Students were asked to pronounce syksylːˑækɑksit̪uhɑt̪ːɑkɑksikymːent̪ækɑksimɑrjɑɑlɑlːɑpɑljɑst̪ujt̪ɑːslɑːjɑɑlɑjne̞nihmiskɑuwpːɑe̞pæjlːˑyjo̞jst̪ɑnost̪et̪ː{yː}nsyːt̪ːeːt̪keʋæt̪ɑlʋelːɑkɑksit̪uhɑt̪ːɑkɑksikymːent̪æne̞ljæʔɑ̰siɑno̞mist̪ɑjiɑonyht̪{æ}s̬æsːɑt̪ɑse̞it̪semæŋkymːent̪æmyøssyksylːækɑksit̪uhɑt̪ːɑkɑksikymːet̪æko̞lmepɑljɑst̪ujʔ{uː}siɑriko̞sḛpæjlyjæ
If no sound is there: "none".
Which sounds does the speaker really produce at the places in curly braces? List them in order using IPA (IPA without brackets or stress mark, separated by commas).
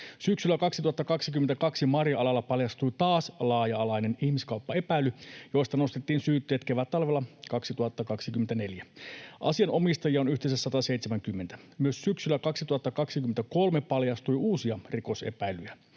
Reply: iː, e, uː